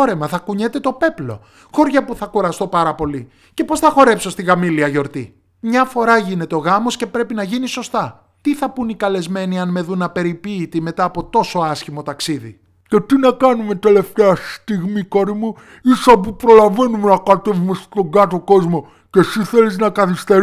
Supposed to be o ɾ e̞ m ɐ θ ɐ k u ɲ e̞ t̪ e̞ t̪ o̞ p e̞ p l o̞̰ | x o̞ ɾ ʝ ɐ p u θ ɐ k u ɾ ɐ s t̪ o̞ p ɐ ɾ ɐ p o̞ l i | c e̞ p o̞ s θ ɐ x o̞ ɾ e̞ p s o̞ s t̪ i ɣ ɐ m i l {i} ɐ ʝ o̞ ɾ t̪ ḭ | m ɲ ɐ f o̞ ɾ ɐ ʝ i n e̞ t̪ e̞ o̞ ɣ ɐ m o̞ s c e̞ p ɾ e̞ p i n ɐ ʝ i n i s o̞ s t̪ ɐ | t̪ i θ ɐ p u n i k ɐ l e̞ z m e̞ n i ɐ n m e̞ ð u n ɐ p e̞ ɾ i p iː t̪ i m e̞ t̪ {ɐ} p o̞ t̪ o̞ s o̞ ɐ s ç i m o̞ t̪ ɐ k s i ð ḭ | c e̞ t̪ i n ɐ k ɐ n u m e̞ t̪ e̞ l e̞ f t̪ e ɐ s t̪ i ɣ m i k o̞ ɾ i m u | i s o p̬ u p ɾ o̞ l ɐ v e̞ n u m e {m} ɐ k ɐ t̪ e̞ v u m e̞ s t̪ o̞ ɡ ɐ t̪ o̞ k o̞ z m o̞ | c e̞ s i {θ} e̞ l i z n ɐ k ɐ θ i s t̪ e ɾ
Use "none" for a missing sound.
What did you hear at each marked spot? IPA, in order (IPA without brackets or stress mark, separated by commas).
i, ɐː, n, θ